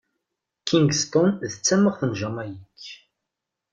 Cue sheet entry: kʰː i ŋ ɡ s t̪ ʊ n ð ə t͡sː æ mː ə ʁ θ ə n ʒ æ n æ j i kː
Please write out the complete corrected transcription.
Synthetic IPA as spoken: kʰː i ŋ ɡ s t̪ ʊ n ð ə t͡sː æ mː ə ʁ θ ə n ʒ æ m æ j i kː